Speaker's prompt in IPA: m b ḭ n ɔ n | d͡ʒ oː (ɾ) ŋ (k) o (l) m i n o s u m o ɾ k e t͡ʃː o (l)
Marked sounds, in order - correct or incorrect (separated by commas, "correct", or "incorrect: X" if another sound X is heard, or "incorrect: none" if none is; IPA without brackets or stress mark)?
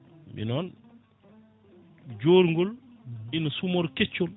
correct, incorrect: ɡ, correct, correct